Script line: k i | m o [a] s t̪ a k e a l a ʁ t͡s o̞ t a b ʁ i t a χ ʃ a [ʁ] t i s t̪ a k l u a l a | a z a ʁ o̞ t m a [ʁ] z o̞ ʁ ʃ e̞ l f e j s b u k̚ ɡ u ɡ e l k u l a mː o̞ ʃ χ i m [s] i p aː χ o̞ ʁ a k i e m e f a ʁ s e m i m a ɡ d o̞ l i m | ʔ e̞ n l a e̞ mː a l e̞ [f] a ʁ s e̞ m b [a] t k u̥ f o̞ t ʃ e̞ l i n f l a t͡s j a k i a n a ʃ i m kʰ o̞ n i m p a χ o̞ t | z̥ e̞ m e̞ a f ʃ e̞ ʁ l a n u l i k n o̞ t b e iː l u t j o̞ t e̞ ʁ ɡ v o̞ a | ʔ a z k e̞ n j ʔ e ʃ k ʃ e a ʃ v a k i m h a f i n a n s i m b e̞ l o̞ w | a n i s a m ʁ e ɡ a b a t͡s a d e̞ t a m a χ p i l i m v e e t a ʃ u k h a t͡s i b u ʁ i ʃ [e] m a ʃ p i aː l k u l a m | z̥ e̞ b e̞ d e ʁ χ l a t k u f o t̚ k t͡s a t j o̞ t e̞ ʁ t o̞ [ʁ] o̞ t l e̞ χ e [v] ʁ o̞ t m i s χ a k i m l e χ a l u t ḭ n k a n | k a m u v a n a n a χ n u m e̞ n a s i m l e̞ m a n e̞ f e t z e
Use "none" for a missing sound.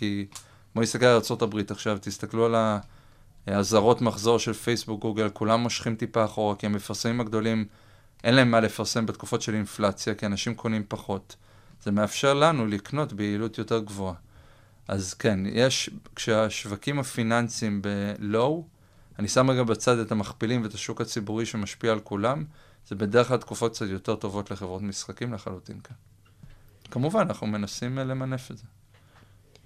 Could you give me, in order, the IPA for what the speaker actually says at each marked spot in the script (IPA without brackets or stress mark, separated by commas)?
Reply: i, v, χ, t, f, e, e, v, v